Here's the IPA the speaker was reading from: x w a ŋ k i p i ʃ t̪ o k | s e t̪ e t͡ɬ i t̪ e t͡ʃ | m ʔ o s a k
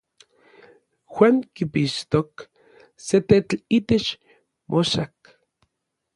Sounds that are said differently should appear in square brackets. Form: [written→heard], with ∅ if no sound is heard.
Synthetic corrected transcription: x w a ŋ k i p i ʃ t̪ o k | s e t̪ e t͡ɬ i t̪ e t͡ʃ | m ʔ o [s→ʃ] a k

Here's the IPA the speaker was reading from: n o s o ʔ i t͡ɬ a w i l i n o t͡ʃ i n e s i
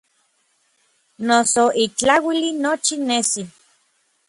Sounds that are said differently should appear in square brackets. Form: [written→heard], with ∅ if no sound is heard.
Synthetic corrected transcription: n o s o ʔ i t͡ɬ a w i l i n o t͡ʃ i n e s i

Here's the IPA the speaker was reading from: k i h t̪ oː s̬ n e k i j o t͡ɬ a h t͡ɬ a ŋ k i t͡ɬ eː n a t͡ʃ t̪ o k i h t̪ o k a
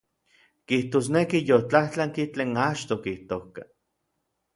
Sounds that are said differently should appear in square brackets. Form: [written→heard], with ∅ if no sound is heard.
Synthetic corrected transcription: k i h t̪ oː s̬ n e k i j o t͡ɬ a h t͡ɬ a ŋ k i t͡ɬ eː n a t͡ʃ t̪ o k i h t̪ o k a

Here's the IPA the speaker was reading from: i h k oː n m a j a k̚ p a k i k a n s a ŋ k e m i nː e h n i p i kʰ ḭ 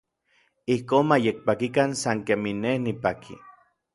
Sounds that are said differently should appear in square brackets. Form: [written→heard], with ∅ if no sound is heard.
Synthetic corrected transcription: i h k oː n m a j [a→e] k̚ p a k i k a n s a ŋ k e m i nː e h n i p [i→a] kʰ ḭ

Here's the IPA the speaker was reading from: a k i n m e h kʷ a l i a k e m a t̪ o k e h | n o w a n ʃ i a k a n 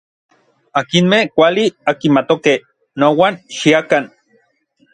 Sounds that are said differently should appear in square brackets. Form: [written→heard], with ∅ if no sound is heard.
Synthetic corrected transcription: a k i n m e h kʷ a l i a k [e→i] m a t̪ o k e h | n o w a n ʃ i a k a n

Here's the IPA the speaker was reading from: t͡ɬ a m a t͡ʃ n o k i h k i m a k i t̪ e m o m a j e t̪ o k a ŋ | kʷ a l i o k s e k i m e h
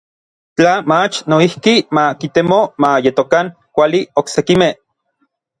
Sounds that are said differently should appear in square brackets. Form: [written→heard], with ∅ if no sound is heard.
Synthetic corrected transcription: t͡ɬ a m a t͡ʃ n o [k→∅] i h k i m a k i t̪ e m o m a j e t̪ o k a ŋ | kʷ a l i o k s e k i m e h

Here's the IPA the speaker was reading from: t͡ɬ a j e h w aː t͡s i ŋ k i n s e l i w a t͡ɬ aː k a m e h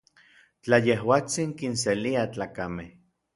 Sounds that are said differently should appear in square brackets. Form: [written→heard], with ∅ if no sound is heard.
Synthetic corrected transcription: t͡ɬ a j e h w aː t͡s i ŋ k i n s e l i [w→∅] a t͡ɬ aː k a m e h

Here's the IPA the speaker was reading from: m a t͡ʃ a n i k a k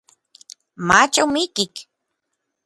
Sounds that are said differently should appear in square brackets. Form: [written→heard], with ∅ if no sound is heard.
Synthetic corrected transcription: m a t͡ʃ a [n→m] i k [a→i] k

